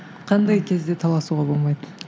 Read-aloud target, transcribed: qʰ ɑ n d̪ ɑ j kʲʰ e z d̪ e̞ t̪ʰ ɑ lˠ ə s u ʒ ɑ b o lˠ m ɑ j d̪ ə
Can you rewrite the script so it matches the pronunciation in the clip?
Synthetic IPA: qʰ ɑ n d̪ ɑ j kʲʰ e z d̪ e̞ t̪ʰ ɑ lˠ ɑ s u ʁ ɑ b o lˠ m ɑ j d̪ ə